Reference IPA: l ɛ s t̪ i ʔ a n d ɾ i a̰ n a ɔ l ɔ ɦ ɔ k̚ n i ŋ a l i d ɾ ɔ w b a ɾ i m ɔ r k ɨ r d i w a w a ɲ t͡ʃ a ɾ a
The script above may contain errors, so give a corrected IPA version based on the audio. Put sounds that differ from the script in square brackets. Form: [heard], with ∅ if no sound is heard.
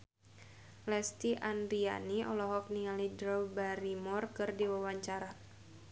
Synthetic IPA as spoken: l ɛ s t̪ i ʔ a n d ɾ i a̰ n [i] ɔ l ɔ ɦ ɔ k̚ n i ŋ a l i d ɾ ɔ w b a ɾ i m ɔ r k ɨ r d i w a w a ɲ t͡ʃ a ɾ a